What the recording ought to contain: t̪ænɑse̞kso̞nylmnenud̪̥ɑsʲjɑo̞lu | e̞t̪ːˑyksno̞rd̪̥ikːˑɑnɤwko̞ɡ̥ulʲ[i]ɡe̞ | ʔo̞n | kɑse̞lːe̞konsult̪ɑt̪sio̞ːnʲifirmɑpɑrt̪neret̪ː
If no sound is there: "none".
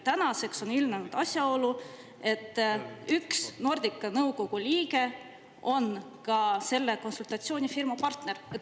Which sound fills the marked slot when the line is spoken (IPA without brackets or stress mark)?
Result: iː